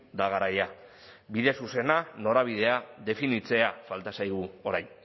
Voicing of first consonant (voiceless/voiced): voiced